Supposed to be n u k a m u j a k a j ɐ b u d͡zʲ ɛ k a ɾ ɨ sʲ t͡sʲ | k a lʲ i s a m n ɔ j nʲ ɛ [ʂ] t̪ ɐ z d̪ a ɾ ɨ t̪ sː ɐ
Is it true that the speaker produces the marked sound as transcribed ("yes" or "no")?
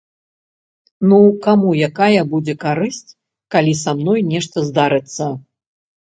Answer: yes